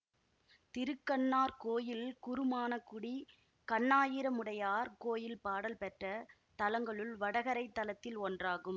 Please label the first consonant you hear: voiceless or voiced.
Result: voiceless